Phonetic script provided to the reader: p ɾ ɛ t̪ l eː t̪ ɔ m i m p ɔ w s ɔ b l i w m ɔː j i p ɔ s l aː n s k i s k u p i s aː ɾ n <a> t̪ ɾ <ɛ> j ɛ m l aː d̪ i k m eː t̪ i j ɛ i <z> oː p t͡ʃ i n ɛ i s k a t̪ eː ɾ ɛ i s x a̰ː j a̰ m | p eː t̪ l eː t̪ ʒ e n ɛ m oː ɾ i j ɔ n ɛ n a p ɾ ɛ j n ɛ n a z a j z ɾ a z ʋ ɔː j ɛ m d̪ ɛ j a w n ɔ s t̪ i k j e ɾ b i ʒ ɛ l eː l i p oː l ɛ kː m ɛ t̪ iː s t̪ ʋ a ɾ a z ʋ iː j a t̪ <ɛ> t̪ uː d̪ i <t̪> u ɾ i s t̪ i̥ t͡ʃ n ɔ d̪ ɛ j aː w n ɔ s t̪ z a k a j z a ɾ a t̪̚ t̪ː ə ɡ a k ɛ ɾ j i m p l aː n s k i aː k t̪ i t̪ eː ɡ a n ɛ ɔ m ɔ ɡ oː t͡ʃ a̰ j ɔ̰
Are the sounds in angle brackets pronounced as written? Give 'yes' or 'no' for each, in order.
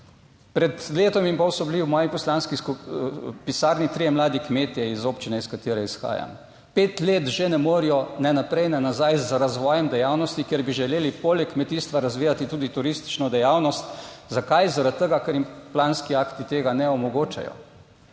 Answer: no, no, yes, no, yes

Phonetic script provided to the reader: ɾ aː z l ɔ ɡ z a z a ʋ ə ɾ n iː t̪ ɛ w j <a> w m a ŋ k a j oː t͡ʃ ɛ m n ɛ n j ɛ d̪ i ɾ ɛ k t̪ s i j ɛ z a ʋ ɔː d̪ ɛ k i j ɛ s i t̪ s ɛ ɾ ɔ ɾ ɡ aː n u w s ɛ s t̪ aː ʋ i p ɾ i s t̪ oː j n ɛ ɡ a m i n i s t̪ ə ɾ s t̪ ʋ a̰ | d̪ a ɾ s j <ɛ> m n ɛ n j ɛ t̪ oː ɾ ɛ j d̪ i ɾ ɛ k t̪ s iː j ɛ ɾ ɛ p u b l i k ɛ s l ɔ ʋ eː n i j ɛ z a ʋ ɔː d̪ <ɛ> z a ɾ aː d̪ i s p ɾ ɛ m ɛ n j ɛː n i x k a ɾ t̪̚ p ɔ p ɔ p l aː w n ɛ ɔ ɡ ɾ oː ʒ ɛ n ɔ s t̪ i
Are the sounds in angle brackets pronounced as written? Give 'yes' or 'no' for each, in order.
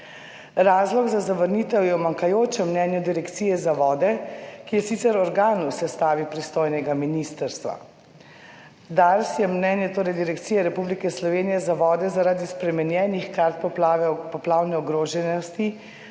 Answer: no, yes, yes

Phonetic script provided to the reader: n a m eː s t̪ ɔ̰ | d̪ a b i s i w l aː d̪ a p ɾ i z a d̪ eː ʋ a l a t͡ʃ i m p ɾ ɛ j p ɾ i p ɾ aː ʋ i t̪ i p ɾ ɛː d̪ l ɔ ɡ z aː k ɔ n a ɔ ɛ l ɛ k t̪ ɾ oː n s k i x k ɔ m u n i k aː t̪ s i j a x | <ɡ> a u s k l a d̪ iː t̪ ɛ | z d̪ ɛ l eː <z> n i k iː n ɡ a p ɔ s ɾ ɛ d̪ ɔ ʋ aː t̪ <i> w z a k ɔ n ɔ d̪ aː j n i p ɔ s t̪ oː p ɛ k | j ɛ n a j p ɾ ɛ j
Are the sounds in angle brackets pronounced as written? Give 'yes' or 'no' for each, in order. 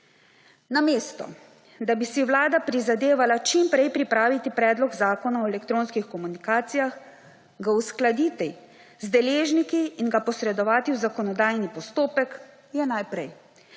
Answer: yes, no, yes

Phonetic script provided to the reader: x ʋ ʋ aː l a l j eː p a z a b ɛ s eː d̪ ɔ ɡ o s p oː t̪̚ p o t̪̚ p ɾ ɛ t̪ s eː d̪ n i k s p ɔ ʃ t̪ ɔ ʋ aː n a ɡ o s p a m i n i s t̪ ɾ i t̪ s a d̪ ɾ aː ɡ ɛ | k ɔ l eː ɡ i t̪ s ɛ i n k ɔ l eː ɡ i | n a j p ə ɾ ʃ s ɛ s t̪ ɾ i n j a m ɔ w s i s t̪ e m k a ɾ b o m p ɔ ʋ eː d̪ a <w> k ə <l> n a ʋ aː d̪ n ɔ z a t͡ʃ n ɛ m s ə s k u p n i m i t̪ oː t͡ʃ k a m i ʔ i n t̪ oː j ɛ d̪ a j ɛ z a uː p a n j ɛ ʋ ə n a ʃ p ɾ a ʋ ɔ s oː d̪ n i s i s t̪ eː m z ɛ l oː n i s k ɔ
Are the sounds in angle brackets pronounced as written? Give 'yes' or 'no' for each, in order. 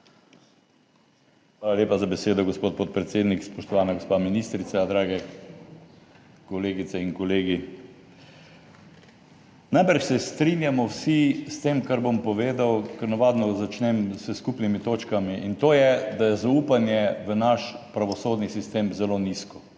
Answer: yes, no

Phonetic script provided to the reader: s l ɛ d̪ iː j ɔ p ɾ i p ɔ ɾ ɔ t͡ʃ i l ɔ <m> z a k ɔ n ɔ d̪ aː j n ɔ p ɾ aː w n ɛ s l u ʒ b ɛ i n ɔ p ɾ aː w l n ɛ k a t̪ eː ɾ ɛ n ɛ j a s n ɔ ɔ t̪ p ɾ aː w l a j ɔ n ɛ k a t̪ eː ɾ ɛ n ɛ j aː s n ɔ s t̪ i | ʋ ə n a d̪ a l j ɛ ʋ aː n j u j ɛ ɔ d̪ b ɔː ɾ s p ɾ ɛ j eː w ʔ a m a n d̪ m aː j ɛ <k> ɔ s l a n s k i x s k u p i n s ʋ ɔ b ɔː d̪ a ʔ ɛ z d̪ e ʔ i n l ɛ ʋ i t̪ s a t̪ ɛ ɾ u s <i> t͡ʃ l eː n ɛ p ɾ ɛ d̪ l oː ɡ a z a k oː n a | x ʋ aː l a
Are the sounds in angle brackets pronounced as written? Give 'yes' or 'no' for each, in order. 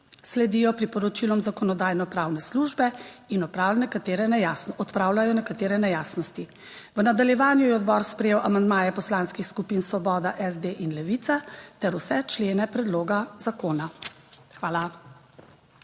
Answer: yes, no, no

